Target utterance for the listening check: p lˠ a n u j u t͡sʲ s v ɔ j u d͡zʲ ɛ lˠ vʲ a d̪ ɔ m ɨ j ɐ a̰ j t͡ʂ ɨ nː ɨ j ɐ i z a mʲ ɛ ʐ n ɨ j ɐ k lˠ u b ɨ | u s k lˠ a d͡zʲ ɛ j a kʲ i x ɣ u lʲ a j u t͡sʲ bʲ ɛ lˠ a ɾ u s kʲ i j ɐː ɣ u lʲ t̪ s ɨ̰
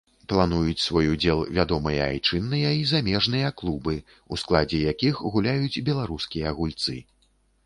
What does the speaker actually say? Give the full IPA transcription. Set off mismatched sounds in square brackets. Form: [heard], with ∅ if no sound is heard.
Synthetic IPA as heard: p lˠ a n u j u t͡sʲ s v ɔ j u d͡zʲ ɛ lˠ vʲ a d̪ ɔ m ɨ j ɐ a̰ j t͡ʂ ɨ nː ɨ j ɐ i z a mʲ ɛ ʐ n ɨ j ɐ k lˠ u b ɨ | u s k lˠ a d͡zʲ ɛ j a kʲ i x ɣ u lʲ a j u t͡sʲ bʲ ɛ lˠ a ɾ u s kʲ i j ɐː ɣ u lʲ t̪ s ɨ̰